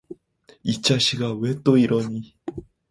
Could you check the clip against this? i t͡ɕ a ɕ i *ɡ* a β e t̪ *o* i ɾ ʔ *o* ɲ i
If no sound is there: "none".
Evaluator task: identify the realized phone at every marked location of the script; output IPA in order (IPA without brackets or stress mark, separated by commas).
ɡ, o, o